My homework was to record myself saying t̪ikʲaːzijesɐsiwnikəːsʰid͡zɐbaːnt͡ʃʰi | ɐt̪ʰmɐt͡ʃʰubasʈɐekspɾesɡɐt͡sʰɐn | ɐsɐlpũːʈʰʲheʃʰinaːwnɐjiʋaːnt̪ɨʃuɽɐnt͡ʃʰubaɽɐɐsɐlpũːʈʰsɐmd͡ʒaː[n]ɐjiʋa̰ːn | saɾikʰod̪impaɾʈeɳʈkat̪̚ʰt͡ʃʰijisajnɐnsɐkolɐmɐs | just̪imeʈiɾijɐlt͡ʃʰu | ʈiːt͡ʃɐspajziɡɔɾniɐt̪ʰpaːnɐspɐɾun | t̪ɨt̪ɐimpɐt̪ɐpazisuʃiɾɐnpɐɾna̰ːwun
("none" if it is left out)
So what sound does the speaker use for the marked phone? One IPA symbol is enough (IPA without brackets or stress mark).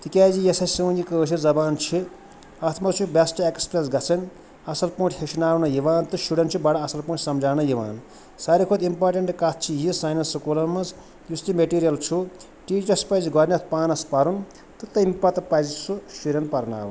n